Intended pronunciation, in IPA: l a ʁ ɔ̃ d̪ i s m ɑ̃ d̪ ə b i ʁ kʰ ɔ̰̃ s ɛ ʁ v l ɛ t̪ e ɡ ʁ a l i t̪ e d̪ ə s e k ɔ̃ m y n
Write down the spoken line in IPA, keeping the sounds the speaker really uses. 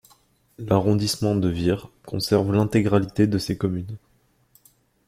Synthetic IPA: l a ʁ ɔ̃ d̪ i s m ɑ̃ d̪ ə v i ʁ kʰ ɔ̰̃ s ɛ ʁ v l ɛ̃ t̪ e ɡ ʁ a l i t̪ e d̪ ə s e k ɔ m y n